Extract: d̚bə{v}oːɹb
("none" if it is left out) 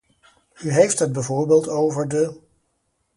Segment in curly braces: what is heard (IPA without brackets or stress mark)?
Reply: v